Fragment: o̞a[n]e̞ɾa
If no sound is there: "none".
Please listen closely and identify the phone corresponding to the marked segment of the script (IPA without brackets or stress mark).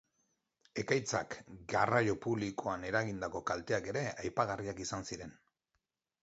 n